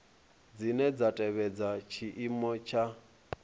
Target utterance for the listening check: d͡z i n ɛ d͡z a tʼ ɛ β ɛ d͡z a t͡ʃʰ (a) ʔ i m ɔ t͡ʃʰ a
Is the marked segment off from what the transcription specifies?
yes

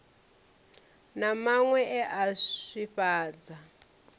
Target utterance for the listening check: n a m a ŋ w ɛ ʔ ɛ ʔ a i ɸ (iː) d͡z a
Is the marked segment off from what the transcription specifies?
yes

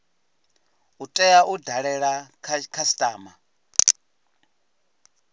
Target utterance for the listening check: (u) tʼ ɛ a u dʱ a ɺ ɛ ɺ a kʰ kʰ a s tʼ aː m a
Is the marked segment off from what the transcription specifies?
no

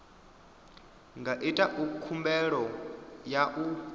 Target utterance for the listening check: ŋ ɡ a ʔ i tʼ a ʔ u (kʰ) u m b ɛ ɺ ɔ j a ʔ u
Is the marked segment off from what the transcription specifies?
no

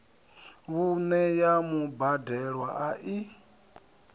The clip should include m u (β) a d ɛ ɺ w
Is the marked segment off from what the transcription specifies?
yes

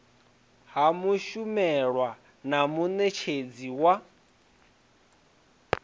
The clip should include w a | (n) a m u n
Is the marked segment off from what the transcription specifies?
no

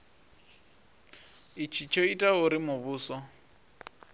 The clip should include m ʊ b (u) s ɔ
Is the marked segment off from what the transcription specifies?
yes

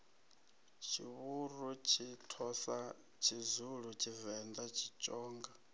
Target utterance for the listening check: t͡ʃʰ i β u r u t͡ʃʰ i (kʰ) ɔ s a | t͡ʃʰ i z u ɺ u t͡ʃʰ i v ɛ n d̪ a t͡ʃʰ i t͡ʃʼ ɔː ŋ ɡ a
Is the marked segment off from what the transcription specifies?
yes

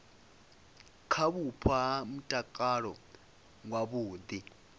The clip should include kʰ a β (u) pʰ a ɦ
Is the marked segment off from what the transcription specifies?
no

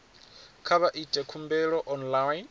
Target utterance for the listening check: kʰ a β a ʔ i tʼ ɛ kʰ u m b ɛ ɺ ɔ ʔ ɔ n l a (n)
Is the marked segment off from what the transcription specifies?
no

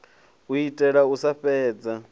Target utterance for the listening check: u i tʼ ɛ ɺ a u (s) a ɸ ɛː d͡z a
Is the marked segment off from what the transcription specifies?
no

